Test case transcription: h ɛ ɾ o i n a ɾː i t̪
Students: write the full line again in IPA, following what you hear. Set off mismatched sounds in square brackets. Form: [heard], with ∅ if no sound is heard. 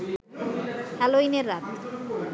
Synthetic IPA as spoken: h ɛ [l] o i n [e] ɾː [a] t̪